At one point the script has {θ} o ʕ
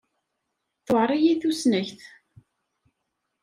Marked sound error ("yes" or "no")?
no